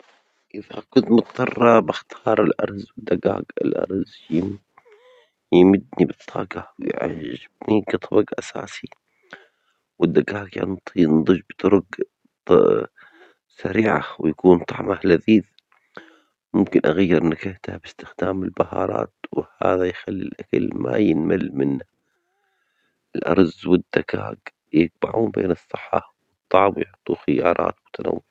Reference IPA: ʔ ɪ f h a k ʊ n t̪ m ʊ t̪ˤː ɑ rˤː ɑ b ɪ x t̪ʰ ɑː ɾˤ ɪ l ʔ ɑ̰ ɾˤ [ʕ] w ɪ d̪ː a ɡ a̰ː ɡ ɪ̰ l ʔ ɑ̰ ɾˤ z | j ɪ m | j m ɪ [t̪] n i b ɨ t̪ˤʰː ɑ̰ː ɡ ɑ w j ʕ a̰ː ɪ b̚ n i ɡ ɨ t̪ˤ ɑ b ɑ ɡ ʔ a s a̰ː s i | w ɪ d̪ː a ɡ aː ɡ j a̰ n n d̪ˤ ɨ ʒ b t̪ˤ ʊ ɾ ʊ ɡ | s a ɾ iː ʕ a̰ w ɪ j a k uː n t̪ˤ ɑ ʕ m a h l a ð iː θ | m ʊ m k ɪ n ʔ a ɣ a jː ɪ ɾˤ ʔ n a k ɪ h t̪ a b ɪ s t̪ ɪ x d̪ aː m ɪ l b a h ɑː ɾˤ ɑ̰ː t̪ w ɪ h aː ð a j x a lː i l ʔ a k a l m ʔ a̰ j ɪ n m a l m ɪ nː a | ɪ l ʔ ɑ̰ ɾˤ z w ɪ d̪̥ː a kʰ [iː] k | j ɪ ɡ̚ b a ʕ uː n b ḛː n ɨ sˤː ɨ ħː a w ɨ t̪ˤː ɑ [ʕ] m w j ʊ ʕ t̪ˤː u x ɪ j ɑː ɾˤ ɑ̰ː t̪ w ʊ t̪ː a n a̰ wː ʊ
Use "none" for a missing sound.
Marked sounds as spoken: z, d̪, aː, ʕ

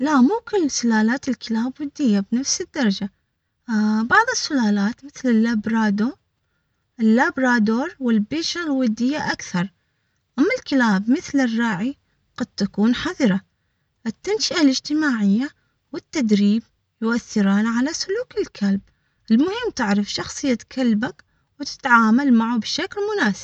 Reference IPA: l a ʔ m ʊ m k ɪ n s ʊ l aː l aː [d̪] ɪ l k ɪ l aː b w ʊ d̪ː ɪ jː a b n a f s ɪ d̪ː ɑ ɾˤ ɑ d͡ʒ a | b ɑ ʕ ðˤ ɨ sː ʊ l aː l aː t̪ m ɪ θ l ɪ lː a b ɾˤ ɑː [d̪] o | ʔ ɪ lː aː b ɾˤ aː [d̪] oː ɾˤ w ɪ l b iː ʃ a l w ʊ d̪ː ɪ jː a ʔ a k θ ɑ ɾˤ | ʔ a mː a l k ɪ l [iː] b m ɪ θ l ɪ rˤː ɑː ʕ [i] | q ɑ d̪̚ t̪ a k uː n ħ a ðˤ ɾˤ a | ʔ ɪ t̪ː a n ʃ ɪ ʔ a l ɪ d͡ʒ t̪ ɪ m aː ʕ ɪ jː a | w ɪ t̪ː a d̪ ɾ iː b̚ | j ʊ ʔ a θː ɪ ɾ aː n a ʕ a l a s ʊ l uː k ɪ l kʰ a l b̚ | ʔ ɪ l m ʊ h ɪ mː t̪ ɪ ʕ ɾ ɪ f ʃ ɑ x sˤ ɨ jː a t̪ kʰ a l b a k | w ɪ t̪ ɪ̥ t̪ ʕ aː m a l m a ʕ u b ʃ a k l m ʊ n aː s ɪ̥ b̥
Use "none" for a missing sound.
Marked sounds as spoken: t̪, d̪, d̪, aː, i

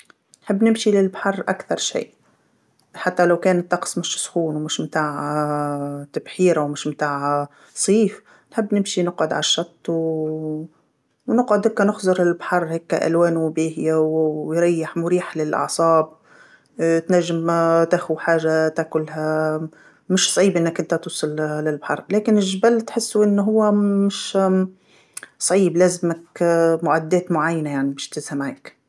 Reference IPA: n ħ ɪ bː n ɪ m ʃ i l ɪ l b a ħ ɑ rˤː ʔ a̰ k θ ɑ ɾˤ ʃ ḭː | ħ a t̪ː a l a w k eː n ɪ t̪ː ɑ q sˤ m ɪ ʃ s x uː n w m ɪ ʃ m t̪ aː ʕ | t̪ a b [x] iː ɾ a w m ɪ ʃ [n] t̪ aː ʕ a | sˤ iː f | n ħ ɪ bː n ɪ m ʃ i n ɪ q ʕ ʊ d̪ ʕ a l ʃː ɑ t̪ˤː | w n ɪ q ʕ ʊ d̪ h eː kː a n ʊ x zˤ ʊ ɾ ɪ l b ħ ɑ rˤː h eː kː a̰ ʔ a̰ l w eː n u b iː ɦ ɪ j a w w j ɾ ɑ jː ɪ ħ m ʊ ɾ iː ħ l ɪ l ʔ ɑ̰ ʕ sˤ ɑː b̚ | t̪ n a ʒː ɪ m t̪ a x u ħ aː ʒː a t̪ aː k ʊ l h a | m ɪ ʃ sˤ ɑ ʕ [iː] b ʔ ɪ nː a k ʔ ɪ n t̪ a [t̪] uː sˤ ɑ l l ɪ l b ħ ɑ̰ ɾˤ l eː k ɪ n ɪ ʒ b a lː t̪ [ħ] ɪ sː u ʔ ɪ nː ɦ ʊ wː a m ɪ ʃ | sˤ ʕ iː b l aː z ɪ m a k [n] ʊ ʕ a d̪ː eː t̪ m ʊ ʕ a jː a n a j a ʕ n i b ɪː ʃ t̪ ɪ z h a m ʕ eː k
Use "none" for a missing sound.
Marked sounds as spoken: ħ, m, iː, t̪, ħ, m

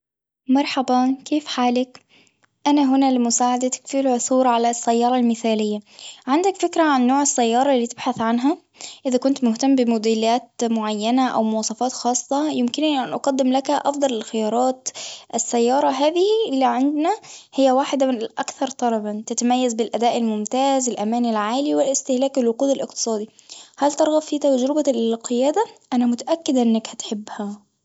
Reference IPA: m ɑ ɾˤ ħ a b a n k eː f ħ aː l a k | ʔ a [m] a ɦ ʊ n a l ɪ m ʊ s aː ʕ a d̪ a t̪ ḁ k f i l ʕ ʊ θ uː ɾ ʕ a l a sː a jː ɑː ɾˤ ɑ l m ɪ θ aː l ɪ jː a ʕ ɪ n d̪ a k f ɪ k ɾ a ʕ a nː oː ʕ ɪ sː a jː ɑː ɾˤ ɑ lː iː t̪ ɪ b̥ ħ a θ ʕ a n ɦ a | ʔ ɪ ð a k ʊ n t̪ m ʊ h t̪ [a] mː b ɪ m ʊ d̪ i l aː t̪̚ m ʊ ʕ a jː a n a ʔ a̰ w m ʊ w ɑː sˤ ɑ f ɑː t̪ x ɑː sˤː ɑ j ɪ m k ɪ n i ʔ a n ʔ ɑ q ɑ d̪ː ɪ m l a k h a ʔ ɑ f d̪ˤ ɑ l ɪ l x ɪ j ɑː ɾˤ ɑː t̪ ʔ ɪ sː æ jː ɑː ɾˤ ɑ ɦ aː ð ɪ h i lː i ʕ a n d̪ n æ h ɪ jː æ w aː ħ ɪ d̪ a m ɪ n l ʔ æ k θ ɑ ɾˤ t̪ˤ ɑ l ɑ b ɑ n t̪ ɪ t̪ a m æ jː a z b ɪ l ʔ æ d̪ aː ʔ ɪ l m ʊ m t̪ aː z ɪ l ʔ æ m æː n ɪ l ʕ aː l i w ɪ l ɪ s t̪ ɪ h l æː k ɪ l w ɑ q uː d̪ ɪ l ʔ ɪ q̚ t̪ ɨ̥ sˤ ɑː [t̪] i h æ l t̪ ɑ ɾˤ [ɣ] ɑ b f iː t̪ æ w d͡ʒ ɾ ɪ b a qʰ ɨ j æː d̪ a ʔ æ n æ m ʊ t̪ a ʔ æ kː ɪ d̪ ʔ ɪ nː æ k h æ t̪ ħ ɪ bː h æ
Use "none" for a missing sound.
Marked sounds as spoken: n, a, d̪, ɣ

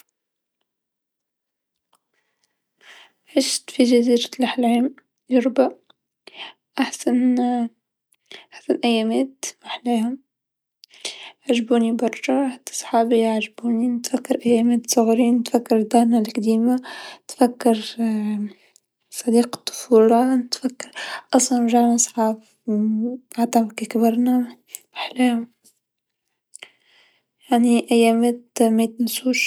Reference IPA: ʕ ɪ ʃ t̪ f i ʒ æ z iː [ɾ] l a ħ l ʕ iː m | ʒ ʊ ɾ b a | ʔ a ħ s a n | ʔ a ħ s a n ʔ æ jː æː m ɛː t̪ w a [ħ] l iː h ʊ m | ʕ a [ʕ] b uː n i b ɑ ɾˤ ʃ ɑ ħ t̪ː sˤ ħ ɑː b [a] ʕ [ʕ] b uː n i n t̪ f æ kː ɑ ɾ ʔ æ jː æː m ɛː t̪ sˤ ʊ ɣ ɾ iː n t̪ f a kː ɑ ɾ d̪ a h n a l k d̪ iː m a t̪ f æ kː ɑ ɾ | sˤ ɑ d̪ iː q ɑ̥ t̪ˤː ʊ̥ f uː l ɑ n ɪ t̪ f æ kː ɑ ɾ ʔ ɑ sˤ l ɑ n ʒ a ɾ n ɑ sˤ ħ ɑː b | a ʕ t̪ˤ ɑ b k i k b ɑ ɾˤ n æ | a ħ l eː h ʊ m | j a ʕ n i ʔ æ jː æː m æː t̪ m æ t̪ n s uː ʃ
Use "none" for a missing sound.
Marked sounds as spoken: ɾ, ħ, ʒ, i, ʒ

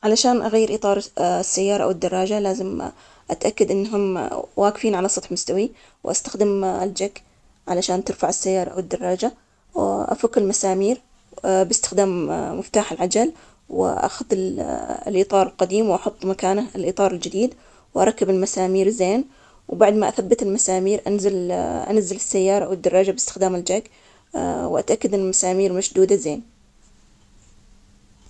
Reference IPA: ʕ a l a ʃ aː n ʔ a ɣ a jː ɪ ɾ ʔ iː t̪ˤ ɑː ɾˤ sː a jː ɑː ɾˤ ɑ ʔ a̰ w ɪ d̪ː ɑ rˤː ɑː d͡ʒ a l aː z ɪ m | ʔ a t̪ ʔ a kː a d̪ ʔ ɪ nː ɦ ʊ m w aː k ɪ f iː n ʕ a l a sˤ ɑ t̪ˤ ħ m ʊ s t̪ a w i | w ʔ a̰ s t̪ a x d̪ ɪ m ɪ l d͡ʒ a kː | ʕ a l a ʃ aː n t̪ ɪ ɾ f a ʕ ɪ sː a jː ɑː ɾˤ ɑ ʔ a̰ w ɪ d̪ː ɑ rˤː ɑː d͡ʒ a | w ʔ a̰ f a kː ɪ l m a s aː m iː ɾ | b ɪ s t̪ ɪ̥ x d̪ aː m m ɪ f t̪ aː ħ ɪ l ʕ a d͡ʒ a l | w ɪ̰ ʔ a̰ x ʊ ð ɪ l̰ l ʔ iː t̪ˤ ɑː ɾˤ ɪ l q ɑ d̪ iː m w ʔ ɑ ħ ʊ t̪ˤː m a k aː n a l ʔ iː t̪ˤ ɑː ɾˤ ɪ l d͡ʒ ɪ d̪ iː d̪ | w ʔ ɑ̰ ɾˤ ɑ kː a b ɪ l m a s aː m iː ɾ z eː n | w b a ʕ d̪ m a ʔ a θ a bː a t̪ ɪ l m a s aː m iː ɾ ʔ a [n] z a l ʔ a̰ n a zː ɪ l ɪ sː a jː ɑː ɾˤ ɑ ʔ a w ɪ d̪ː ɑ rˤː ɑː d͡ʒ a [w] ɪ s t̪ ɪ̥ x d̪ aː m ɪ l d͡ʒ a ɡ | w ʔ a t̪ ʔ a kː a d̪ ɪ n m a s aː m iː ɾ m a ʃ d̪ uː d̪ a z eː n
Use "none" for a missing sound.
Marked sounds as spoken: n, b

